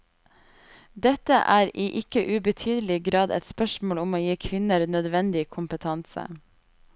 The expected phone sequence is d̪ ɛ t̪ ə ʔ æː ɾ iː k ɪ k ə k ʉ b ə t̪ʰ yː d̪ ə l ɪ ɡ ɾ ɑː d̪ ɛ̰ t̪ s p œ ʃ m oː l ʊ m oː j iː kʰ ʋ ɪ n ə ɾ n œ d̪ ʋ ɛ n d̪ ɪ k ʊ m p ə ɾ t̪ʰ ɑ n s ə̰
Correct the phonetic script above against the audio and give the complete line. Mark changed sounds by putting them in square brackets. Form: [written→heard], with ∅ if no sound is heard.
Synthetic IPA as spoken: d̪ ɛ t̪ ə ʔ æː ɾ iː [k→ʔ] ɪ k ə [k→ʔ] ʉ b ə t̪ʰ yː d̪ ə l ɪ ɡ ɾ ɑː d̪ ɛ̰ t̪ s p œ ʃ m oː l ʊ m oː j iː kʰ ʋ ɪ n ə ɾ n œ d̪ ʋ ɛ n d̪ ɪ [k→kʰ] ʊ m p ə [ɾ→∅] t̪ʰ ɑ n s ə̰

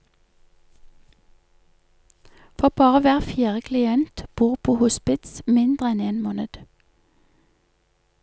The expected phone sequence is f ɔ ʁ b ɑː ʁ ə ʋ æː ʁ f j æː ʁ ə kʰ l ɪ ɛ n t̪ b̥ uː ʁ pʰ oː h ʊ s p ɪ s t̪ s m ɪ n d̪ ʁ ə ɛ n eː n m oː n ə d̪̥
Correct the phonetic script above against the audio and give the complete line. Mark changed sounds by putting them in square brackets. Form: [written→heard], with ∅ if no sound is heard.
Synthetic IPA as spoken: f ɔ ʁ b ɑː ʁ ə ʋ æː ʁ f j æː ʁ ə kʰ l ɪ ɛ n t̪ b̥ uː ʁ pʰ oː h ʊ s p ɪ [s→∅] t̪ s m ɪ n d̪ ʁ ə ɛ n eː n m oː n ə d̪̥

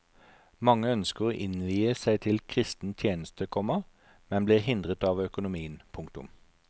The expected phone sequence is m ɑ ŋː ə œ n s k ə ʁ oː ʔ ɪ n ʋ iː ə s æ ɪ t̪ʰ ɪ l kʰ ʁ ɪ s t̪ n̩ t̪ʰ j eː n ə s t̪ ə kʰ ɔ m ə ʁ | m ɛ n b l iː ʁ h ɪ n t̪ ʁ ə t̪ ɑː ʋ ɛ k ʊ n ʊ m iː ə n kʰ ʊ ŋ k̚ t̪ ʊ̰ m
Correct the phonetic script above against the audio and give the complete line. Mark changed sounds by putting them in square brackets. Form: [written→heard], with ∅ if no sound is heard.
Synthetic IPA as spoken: m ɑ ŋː ə œ n s k ə ʁ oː ʔ ɪ n ʋ iː ə s æ ɪ t̪ʰ ɪ l kʰ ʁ ɪ s t̪ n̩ t̪ʰ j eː n ə s t̪ ə kʰ ɔ m ə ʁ | m ɛ n b l iː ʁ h ɪ n [t̪→d̪] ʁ ə t̪ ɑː ʋ [ɛ→œ] k ʊ n ʊ m iː ə n [kʰ→pʰ] ʊ ŋ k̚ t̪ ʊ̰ m

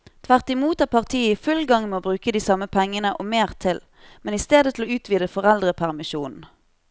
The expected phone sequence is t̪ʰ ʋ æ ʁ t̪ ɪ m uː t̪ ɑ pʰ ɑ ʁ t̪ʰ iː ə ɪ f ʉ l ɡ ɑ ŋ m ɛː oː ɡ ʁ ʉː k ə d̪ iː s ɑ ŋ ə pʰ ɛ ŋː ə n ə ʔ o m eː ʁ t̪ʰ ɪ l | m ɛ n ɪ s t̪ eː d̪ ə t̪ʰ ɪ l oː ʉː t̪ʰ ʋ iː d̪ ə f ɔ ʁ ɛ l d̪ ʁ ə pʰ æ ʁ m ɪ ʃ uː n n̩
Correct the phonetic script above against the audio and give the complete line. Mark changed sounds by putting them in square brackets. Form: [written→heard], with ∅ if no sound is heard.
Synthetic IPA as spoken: t̪ʰ ʋ æ ʁ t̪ ɪ m uː t̪ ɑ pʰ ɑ ʁ t̪ʰ iː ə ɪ f ʉ l ɡ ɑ ŋ m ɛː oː [ɡ→b] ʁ ʉː k ə d̪ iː s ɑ [ŋ→m] ə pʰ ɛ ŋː ə n ə ʔ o m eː ʁ t̪ʰ ɪ l | m ɛ n ɪ s t̪ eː d̪ ə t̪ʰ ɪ l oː ʉː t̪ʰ ʋ iː d̪ ə f ɔ ʁ ɛ l d̪ ʁ ə pʰ æ ʁ m ɪ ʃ uː n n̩

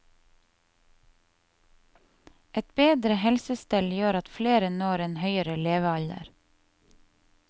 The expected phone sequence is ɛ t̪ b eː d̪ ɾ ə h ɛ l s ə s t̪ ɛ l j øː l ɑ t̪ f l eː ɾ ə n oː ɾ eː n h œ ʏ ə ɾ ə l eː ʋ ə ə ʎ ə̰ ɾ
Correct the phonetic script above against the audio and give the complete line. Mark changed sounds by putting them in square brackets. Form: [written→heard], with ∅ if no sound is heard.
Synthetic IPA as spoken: ɛ t̪ b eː d̪ ɾ ə h ɛ l s ə s t̪ ɛ l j øː [l→ɾ] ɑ t̪ f l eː ɾ ə n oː ɾ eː n h œ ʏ ə ɾ ə l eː ʋ ə [ə→ɑ] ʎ ə̰ ɾ

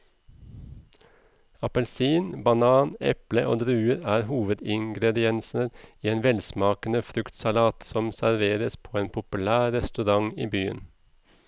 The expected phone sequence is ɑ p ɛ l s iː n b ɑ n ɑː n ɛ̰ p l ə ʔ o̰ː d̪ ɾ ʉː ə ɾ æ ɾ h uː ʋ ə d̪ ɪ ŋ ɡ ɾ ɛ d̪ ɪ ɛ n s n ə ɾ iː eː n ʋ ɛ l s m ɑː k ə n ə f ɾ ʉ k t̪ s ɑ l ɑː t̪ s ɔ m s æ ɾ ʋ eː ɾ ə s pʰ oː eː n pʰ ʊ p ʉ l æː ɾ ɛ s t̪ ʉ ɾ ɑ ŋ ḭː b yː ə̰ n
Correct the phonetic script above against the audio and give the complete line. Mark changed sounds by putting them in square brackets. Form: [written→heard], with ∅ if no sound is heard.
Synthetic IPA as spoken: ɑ p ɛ l s iː n b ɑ n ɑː n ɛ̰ p l ə ʔ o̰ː d̪ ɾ ʉː ə ɾ [æ→æː] ɾ h uː ʋ ə d̪ ɪ ŋ ɡ ɾ ɛ d̪ ɪ ɛ n s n ə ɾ iː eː n ʋ ɛ l s m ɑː k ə n ə f ɾ ʉ k t̪ s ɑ l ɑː t̪ s ɔ m s æ ɾ ʋ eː ɾ ə s pʰ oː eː n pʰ ʊ p ʉ l æː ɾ ɛ s t̪ ʉ ɾ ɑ ŋ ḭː b yː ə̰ n

